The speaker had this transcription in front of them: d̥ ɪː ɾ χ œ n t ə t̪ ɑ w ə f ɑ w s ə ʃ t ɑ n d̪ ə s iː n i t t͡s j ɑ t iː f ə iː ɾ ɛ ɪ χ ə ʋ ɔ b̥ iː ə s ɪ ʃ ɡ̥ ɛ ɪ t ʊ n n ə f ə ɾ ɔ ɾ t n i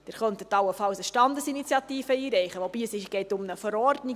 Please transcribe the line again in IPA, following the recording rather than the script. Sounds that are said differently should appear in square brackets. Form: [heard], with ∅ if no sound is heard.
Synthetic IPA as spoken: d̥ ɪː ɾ χ œ n t ə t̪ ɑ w ə f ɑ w s ə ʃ t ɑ n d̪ ə s [i] n i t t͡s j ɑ t iː f ə iː ɾ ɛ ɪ χ ə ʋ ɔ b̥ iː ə s ɪ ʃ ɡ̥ ɛ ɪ t ʊ [m] n ə f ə ɾ ɔ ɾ [d] n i